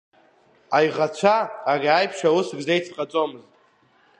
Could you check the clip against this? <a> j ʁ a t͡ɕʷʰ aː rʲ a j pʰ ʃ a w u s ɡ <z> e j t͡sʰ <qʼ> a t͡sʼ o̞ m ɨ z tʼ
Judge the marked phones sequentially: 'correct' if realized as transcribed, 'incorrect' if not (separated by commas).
correct, correct, correct